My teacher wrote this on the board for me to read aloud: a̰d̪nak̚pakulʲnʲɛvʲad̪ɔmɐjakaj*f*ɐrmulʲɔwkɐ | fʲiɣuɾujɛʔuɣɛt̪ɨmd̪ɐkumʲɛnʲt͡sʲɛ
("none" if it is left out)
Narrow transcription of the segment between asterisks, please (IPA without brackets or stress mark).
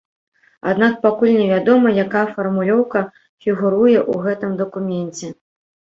f